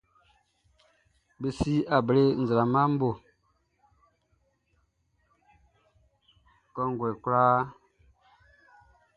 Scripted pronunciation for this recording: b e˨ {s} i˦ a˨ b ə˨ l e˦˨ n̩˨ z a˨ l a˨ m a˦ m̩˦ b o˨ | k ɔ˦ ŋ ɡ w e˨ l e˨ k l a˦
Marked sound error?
no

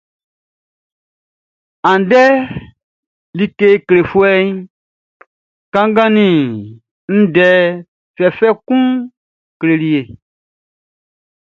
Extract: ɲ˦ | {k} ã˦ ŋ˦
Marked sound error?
no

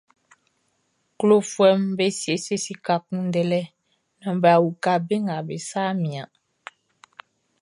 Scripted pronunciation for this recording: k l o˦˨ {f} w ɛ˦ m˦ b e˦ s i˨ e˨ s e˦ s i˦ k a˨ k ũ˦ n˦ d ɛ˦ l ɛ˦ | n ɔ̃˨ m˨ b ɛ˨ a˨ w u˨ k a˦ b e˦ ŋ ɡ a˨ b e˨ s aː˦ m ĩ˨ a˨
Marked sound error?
no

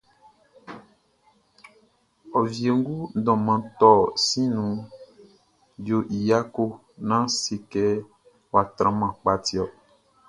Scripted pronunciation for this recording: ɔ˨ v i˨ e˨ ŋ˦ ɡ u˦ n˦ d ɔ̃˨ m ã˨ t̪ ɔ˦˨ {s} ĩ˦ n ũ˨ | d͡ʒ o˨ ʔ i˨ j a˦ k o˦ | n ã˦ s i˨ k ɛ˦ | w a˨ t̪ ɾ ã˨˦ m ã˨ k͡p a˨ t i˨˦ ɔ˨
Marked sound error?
no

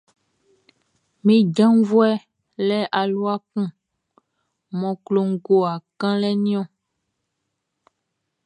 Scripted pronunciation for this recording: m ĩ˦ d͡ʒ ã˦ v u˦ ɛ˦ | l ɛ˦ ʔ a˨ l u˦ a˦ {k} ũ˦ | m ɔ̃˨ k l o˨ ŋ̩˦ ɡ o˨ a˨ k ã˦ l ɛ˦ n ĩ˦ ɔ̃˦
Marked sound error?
no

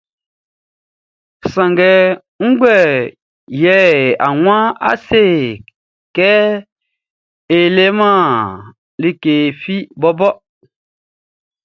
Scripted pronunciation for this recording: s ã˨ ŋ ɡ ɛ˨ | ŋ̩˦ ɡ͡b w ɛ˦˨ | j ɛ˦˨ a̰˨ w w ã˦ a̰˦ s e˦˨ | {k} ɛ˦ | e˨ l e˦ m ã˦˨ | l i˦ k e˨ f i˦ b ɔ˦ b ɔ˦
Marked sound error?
no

